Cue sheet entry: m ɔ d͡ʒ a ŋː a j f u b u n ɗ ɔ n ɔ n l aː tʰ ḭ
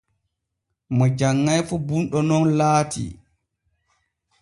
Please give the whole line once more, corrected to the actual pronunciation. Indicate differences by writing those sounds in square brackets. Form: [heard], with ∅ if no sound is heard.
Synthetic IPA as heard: m ɔ d͡ʒ a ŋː a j f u b u n ɗ ɔ n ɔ n l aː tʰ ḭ